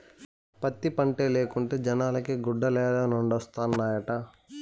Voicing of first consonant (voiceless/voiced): voiceless